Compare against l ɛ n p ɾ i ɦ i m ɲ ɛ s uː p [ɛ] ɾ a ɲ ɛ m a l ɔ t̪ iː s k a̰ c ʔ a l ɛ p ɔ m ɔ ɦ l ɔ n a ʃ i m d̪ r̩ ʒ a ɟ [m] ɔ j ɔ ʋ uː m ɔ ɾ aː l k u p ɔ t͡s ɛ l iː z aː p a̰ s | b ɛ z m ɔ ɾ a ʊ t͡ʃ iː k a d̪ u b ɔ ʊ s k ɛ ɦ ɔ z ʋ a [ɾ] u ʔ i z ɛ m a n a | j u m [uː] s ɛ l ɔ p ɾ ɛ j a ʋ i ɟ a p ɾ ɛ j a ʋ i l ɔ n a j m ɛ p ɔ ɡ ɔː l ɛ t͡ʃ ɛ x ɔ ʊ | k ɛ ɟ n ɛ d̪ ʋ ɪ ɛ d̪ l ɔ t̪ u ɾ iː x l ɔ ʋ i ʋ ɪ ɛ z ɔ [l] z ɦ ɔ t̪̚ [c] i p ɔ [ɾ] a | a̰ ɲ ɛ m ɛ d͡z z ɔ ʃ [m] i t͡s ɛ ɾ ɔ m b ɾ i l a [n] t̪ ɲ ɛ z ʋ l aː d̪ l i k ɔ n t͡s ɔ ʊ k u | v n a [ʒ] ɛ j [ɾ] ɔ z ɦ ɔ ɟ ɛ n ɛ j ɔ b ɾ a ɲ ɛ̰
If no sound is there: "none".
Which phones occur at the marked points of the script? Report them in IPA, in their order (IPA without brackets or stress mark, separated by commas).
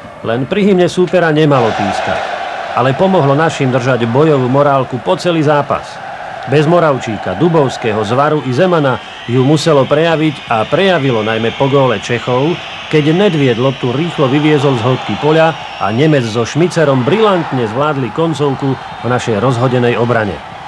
ɛ, b, ɾ, u, l, k, ʎ, m, n, ʃ, ɾ